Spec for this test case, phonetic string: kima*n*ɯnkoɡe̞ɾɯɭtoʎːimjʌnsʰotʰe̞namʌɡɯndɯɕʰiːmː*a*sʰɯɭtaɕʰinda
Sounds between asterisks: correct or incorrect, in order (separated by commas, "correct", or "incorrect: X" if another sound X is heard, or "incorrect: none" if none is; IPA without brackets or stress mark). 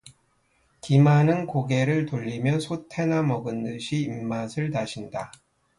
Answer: correct, correct